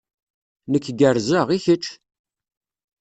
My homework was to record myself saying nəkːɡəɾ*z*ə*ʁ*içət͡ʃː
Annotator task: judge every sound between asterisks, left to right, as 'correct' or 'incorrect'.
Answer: correct, correct

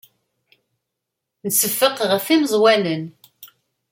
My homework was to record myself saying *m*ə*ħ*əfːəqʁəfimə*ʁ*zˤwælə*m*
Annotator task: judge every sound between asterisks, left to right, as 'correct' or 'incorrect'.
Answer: incorrect, incorrect, incorrect, incorrect

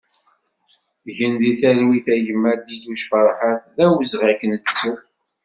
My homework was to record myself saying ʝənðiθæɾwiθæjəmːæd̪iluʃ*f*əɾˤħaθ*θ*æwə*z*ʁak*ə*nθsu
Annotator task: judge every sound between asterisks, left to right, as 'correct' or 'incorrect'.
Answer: correct, incorrect, correct, correct

